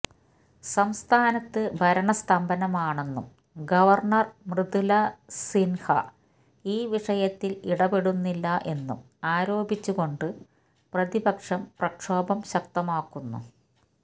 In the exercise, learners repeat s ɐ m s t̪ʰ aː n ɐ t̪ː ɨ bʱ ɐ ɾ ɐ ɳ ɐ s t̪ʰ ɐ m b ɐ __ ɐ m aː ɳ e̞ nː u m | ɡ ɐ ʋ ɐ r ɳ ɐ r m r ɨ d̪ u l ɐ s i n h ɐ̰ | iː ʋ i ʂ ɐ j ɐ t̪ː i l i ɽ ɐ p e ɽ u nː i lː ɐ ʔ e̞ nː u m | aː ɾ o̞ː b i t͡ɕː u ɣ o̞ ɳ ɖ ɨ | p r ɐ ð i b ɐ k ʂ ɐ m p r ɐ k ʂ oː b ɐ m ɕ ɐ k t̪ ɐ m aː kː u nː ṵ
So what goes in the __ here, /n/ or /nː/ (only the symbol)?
n